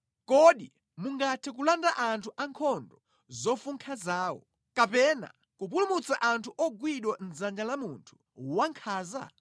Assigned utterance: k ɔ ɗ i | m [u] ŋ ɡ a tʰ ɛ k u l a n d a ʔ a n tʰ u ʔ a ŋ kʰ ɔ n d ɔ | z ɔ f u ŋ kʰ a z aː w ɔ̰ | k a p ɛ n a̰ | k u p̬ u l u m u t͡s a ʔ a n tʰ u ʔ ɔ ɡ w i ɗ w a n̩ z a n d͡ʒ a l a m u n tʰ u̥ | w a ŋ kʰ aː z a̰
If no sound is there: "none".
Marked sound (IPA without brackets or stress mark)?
u